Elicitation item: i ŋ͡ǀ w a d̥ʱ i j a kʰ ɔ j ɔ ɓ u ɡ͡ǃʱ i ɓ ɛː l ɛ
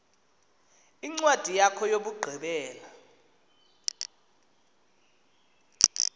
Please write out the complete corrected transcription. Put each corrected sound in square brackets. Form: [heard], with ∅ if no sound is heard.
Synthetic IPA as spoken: i ŋ͡ǀ w a d̥ʱ i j a kʰ ɔ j [o] ɓ u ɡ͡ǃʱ i ɓ ɛː l [a]